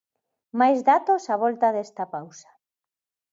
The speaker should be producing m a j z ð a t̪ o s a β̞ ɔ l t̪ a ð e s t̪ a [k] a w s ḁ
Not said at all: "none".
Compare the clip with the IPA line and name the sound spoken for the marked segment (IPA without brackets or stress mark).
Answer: p